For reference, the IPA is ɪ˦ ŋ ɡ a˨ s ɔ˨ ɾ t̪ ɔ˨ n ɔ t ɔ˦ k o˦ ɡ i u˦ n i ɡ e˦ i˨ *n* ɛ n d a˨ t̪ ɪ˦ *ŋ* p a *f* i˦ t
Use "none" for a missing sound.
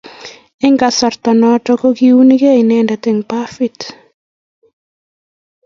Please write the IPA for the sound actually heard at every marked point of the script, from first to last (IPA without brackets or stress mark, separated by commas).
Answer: n, ŋ, f